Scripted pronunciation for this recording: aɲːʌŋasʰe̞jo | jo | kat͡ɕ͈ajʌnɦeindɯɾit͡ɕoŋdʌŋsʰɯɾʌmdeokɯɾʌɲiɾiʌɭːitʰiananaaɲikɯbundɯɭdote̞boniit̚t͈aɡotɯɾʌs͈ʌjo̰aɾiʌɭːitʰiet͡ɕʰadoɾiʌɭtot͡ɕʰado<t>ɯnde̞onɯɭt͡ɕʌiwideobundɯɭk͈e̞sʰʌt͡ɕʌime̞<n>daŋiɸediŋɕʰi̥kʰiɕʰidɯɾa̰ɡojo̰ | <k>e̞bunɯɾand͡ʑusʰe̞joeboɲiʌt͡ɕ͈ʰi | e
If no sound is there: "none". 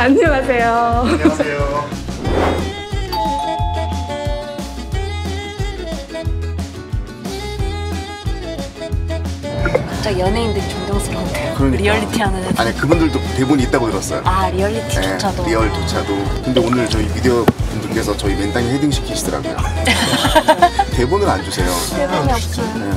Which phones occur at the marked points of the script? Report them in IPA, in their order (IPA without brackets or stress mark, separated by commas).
k, n, t